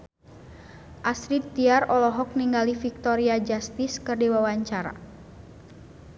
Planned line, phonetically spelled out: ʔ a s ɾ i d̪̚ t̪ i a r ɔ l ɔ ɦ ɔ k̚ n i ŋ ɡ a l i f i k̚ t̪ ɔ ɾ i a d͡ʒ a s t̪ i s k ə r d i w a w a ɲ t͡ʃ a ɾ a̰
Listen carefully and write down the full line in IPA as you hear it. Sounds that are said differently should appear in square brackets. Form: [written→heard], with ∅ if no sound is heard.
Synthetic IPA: ʔ a s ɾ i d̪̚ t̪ i a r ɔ l ɔ ɦ ɔ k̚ n i ŋ ɡ a l i f i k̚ t̪ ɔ ɾ i a d͡ʒ a s t̪ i s k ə r d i w a w a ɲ t͡ʃ a ɾ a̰